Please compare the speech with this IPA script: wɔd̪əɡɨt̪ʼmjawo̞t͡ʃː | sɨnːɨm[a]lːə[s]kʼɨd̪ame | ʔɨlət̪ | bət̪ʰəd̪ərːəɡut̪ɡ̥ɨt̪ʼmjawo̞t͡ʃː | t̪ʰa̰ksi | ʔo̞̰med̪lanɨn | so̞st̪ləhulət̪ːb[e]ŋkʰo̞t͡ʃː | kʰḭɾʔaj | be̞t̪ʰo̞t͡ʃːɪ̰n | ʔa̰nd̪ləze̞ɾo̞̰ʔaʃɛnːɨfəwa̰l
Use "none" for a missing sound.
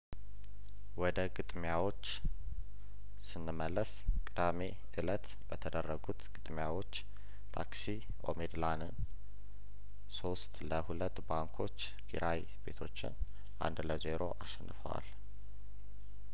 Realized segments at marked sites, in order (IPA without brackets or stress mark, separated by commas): ə, s, a